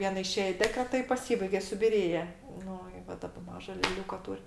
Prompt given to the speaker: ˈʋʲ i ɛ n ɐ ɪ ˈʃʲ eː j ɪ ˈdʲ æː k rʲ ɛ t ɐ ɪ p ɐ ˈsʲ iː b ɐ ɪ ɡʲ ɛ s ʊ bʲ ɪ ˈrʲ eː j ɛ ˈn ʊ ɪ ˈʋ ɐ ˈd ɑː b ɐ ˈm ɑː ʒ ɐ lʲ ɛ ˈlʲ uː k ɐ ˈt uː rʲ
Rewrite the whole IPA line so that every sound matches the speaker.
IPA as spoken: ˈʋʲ i ɛ n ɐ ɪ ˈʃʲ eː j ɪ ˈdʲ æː k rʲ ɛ t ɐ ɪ p ɐ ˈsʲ iː b ɐ ɪ ɡʲ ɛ s ʊ bʲ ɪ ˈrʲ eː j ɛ ˈn ʊ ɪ ˈʋ ɐ ˈd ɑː b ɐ ˈm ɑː ʒ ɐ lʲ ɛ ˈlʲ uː k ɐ ˈt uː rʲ